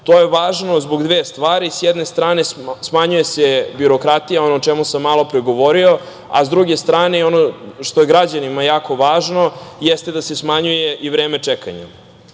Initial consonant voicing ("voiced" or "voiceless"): voiceless